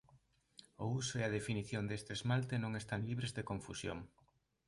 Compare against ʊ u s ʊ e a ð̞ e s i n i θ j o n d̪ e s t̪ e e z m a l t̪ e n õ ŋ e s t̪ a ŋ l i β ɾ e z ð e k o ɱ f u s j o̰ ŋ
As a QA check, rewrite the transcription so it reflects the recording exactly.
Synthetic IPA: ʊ u s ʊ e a ð̞ e f i n i θ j o n d̪ e s t̪ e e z m a l t̪ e n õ ŋ e s t̪ a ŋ l i β ɾ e z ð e k o ɱ f u s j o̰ ŋ